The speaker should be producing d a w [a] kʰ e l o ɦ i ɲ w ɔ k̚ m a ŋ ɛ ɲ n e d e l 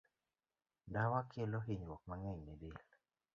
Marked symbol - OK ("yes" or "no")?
yes